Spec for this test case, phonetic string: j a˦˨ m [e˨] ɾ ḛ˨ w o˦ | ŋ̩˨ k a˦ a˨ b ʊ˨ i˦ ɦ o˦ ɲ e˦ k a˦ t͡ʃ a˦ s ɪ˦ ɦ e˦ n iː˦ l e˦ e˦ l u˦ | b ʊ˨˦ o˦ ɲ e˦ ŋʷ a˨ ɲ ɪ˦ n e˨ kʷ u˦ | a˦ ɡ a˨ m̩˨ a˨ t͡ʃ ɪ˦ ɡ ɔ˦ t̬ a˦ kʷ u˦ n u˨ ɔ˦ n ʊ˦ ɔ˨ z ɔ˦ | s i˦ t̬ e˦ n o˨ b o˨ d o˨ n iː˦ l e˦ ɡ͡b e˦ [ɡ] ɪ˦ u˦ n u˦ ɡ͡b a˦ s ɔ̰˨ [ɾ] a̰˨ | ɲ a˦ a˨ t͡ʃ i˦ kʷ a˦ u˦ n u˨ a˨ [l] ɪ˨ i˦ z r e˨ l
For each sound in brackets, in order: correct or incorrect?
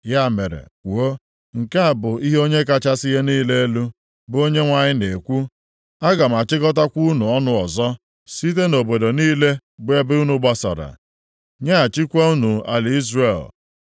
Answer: correct, incorrect: b, correct, correct

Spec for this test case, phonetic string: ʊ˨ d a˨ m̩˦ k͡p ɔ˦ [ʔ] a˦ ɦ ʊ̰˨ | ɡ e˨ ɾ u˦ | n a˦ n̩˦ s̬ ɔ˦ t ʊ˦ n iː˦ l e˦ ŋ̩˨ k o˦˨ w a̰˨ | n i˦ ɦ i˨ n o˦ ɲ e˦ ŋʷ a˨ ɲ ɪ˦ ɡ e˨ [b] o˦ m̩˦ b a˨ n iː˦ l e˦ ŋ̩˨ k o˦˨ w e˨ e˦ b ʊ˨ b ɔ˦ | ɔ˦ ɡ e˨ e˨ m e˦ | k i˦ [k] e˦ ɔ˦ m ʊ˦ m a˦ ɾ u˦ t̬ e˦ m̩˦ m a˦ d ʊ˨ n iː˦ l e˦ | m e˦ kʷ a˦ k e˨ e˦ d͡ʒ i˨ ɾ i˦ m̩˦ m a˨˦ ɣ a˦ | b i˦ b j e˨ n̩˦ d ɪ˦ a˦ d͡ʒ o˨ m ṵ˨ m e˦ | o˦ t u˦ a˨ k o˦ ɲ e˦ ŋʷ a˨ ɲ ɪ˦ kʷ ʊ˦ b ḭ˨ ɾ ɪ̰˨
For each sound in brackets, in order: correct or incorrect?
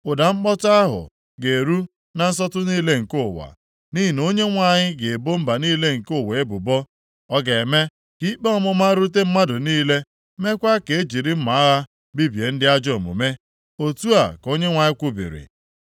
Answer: incorrect: t, correct, incorrect: k͡p

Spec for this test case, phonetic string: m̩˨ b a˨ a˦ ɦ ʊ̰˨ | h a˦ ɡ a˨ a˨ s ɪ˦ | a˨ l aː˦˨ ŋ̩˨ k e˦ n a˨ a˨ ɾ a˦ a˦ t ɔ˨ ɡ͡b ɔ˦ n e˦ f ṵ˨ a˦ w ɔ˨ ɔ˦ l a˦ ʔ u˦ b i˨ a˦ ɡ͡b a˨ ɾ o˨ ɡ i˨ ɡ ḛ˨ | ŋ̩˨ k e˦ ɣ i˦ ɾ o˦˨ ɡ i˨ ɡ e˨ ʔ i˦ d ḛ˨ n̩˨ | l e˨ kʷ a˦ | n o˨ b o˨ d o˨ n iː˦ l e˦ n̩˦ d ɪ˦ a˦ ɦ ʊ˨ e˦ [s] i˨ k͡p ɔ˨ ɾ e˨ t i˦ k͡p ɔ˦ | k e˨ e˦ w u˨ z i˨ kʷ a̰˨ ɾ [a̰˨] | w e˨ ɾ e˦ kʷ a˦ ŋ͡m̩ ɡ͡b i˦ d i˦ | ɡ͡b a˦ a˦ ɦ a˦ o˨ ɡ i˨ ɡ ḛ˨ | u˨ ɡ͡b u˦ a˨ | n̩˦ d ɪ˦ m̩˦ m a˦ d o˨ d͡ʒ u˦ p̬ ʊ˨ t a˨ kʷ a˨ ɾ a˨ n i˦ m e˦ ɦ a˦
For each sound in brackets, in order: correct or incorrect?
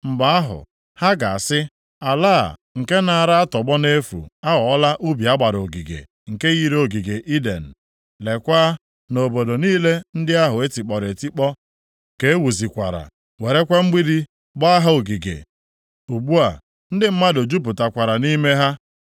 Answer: incorrect: t, correct

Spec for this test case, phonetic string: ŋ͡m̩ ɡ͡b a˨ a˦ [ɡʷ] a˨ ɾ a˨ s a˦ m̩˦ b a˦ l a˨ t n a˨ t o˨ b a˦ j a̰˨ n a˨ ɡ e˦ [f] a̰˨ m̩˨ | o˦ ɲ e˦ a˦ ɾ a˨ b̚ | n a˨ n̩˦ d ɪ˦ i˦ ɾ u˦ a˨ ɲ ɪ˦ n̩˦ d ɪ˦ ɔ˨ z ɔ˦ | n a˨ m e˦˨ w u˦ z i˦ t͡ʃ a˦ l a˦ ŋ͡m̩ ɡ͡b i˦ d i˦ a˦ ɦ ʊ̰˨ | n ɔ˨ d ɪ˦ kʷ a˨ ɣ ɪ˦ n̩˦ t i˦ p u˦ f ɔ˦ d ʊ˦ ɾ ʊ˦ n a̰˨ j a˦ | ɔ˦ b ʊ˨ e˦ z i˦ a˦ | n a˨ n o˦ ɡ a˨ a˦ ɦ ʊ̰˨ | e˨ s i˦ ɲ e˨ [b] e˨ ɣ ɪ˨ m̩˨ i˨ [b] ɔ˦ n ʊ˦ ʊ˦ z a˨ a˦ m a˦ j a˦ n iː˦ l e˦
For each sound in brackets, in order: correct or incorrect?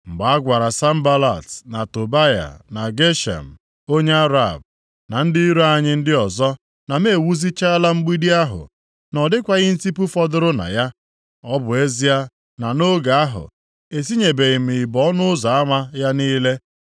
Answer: correct, incorrect: ʃ, correct, correct

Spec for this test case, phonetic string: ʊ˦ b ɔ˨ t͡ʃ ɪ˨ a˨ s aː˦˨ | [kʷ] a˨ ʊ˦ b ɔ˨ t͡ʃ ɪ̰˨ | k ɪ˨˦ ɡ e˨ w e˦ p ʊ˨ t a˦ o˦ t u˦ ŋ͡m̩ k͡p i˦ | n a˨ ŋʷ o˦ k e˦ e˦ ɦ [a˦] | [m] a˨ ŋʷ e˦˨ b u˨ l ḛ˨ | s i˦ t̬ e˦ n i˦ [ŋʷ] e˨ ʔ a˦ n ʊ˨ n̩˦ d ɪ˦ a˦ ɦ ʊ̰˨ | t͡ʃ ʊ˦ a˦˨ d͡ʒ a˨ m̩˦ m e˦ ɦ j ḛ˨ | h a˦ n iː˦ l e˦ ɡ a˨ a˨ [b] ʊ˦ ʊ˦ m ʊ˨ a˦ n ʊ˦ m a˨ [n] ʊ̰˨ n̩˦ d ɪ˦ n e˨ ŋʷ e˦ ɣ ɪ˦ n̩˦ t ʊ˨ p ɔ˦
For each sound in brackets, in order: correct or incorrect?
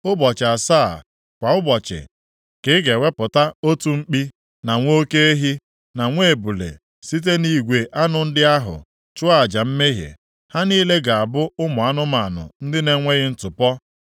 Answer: correct, incorrect: i˦, incorrect: n, incorrect: ɡʷ, correct, correct

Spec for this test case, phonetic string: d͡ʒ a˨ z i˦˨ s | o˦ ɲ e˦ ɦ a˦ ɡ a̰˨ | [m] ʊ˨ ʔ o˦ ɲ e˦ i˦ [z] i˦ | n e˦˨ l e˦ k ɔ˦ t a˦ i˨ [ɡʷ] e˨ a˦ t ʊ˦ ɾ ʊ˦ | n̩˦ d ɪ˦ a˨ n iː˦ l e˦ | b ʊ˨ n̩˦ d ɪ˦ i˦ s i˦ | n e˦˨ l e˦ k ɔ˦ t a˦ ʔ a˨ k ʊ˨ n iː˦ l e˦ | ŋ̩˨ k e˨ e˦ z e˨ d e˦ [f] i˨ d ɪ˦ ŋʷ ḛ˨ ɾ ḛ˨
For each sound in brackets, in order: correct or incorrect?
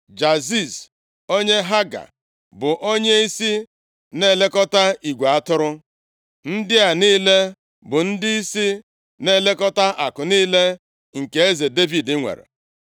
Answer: incorrect: b, incorrect: s, correct, incorrect: v

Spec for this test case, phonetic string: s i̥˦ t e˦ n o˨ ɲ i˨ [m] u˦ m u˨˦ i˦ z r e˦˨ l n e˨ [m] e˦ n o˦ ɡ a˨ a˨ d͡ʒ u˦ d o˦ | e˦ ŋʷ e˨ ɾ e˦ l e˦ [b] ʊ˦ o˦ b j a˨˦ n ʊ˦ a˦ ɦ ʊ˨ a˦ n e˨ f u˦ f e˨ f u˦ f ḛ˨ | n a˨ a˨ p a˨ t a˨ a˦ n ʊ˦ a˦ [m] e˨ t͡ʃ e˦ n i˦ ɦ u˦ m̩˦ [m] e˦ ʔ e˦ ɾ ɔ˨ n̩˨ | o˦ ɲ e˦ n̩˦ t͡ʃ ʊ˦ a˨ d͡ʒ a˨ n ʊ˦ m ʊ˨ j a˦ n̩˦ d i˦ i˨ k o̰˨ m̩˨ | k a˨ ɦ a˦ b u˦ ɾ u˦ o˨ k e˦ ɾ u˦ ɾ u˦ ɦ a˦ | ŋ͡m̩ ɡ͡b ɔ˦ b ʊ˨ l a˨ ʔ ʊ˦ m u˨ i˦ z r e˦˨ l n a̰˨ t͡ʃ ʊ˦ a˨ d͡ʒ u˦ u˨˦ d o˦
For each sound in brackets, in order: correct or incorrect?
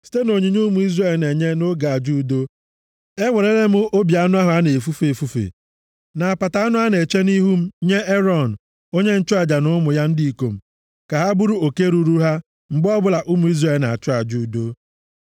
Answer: incorrect: ɲ, incorrect: ɲ, incorrect: m, incorrect: n, incorrect: ɲ

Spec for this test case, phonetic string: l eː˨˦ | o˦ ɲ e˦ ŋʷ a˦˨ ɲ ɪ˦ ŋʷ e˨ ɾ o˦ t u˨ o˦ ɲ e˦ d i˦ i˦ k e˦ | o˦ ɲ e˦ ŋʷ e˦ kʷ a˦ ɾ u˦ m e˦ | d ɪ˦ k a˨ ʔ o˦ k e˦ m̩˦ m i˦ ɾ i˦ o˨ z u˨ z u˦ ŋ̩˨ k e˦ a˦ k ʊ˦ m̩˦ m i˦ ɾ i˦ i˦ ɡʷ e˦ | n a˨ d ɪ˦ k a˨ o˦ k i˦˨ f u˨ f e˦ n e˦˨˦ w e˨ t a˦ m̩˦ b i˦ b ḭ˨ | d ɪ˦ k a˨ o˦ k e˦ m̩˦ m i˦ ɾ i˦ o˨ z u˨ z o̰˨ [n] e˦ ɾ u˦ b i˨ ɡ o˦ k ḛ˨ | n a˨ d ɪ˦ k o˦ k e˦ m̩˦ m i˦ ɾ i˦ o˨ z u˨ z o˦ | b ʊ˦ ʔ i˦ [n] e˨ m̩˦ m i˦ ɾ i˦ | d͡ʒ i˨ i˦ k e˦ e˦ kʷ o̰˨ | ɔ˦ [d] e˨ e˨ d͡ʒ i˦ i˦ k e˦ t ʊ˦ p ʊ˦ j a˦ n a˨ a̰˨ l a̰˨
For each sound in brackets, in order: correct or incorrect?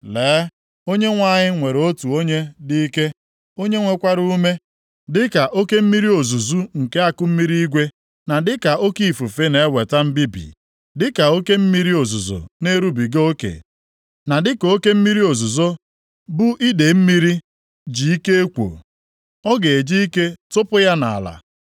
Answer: correct, incorrect: d, incorrect: ɡ

